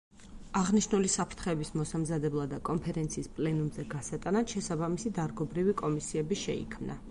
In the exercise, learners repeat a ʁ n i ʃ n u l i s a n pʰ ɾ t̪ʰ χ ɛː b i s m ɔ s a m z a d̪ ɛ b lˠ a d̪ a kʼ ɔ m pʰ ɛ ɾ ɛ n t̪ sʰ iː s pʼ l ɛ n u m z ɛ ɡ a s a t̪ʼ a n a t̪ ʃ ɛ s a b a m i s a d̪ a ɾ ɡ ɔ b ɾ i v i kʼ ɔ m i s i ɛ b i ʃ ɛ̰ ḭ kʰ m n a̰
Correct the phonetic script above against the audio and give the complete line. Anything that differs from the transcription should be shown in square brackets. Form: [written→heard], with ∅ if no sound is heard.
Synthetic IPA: a ʁ n i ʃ n u l i s a [n→∅] pʰ ɾ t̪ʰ χ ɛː b i s m ɔ s a m z a d̪ ɛ b lˠ a d̪ a kʼ ɔ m pʰ ɛ ɾ ɛ n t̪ sʰ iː s pʼ l ɛ n u m z ɛ ɡ a s a t̪ʼ a n a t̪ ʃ ɛ s a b a m i s [a→i] d̪ a ɾ ɡ ɔ b ɾ i v i kʼ ɔ m i s i ɛ b i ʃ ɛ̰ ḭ kʰ m n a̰

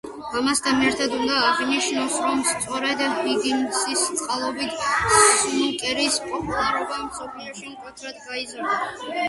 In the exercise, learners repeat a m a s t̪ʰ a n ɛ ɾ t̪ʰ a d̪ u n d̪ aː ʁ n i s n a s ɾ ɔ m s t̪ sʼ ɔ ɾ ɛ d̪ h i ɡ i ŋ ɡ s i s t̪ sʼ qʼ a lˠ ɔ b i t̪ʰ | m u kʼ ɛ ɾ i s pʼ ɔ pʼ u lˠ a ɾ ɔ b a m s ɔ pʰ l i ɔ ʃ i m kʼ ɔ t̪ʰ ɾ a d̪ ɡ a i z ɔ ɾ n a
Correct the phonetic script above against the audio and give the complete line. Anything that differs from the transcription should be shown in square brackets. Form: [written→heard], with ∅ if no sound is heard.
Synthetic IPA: a m a s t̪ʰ a n ɛ ɾ t̪ʰ a d̪ u n d̪ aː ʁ n i [s→ʃ] n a s ɾ ɔ m s t̪ sʼ ɔ ɾ ɛ d̪ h i ɡ i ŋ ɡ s i s t̪ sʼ qʼ a lˠ ɔ b i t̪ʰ | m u kʼ ɛ ɾ i s pʼ ɔ pʼ u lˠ a ɾ ɔ b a m s ɔ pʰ l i ɔ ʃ i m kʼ ɔ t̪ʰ ɾ a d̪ ɡ a i z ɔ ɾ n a

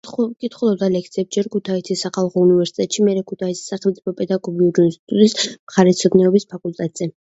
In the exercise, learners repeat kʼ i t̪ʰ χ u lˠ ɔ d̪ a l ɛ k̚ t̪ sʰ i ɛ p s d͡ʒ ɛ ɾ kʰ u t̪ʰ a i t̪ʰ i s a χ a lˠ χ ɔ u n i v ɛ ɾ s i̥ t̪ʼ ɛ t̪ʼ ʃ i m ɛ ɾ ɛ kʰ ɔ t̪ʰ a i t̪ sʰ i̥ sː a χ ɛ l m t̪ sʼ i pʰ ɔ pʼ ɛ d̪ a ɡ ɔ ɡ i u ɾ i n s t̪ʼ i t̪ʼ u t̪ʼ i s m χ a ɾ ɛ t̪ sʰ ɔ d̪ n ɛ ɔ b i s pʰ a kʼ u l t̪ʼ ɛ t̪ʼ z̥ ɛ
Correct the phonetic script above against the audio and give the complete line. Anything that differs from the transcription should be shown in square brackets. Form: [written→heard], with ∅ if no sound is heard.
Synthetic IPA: kʼ i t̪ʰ χ u lˠ ɔ d̪ a l ɛ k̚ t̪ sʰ i ɛ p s d͡ʒ ɛ ɾ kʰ u t̪ʰ a i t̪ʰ i s a χ a lˠ χ ɔ u n i v ɛ ɾ s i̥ t̪ʼ ɛ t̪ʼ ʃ i m ɛ ɾ ɛ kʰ [ɔ→u] t̪ʰ a i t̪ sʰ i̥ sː a χ ɛ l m t̪ sʼ i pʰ ɔ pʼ ɛ d̪ a ɡ ɔ ɡ i u ɾ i n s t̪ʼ i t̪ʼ u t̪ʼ i s m χ a ɾ ɛ t̪ sʰ ɔ d̪ n ɛ ɔ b i s pʰ a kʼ u l t̪ʼ ɛ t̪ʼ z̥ ɛ

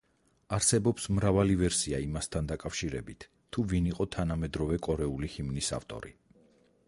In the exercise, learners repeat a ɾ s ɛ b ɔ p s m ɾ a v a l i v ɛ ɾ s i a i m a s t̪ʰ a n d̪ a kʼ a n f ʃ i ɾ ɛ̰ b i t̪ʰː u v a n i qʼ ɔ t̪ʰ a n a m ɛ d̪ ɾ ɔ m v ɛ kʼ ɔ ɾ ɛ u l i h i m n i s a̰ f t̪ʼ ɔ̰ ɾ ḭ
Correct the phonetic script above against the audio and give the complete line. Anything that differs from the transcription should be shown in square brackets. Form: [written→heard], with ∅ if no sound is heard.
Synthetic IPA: a ɾ s ɛ b ɔ p s m ɾ a v a l i v ɛ ɾ s i a i m a s t̪ʰ a n d̪ a kʼ a [n→∅] f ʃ i ɾ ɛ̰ b i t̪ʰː u v [a→i] n i qʼ ɔ t̪ʰ a n a m ɛ d̪ ɾ ɔ [m→∅] v ɛ kʼ ɔ ɾ ɛ u l i h i m n i s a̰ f t̪ʼ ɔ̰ ɾ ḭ

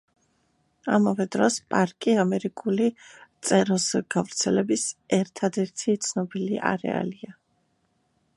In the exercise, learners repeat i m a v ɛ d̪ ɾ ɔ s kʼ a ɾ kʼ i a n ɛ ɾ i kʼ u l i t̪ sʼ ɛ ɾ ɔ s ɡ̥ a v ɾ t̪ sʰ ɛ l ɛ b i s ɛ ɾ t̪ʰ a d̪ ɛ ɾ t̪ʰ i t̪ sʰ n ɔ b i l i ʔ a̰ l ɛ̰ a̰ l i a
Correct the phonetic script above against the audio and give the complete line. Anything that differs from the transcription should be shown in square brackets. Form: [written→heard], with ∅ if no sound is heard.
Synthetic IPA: [i→a] m a v ɛ d̪ ɾ ɔ s [kʼ→pʼ] a ɾ kʼ i a [n→m] ɛ ɾ i kʼ u l i t̪ sʼ ɛ ɾ ɔ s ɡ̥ a v ɾ t̪ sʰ ɛ l ɛ b i s ɛ ɾ t̪ʰ a d̪ ɛ ɾ t̪ʰ i t̪ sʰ n ɔ b i l i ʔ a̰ [l→ɾ] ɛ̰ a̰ l i a

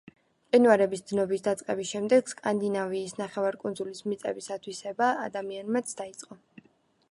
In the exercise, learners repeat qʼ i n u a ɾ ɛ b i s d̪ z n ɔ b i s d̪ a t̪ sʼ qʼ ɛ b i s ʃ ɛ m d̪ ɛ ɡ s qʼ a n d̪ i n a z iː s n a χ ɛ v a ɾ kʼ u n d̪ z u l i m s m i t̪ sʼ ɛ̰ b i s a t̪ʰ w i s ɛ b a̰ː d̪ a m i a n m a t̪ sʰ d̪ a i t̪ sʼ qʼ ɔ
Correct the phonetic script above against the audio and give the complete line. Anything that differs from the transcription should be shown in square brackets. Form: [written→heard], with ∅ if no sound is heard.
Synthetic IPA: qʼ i n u a ɾ ɛ b i s d̪ z n ɔ b i s d̪ a t̪ sʼ qʼ ɛ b i s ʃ ɛ m d̪ ɛ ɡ s [qʼ→kʼ] a n d̪ i n a [z→v] iː s n a χ ɛ v a ɾ kʼ u n d̪ z u l i [m→∅] s m i t̪ sʼ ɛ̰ b i s a t̪ʰ w i s ɛ b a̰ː d̪ a m i a n m a t̪ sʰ d̪ a i t̪ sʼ qʼ ɔ

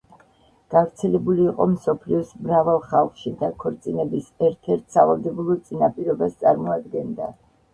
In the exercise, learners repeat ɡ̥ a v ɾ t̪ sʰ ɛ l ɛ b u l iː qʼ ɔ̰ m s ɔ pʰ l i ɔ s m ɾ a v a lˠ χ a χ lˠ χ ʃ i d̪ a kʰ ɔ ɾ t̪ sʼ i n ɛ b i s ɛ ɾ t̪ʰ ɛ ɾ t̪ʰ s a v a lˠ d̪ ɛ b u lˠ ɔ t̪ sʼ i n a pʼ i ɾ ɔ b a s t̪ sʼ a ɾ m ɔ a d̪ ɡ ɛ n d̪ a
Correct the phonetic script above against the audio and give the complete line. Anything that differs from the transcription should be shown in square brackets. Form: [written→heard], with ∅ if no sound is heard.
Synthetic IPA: ɡ̥ a v ɾ t̪ sʰ ɛ l ɛ b u l iː qʼ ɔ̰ m s ɔ pʰ l i ɔ s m ɾ a v a lˠ χ a [χ→∅] lˠ χ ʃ i d̪ a kʰ ɔ ɾ t̪ sʼ i n ɛ b i s ɛ ɾ t̪ʰ ɛ ɾ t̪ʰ s a v a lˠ d̪ ɛ b u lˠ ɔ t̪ sʼ i n a pʼ i ɾ ɔ b a s t̪ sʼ a ɾ m ɔ a d̪ ɡ ɛ n d̪ a

